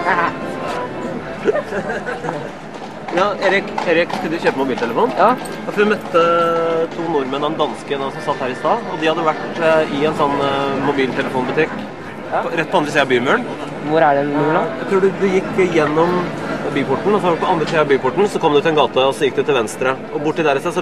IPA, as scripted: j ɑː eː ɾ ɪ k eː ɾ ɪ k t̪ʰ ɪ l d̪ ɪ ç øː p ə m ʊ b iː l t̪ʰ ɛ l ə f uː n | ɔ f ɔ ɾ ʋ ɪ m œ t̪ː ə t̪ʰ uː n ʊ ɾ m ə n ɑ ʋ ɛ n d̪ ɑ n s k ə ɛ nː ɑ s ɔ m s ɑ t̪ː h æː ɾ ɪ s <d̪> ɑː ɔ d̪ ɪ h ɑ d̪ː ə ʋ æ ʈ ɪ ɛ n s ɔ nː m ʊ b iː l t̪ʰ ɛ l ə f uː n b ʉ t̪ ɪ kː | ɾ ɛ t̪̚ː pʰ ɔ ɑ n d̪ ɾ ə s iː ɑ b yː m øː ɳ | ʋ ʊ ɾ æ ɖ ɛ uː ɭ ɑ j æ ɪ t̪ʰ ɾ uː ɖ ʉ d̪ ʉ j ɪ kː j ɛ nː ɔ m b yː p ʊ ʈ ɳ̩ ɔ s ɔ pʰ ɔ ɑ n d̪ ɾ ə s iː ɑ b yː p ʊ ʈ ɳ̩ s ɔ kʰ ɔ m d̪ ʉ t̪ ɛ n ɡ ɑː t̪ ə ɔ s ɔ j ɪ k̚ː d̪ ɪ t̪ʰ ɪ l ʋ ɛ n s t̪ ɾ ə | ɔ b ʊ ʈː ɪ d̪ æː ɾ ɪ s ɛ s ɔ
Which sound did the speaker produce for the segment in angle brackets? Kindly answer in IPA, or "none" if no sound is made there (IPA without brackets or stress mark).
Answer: t̪